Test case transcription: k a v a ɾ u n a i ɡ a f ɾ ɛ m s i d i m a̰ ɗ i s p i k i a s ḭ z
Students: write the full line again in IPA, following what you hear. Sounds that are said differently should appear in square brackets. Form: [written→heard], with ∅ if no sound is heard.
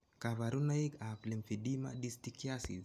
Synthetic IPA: k a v a ɾ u n a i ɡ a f [ɾ→l] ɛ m [s→f] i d i m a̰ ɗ i s [p→t] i k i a s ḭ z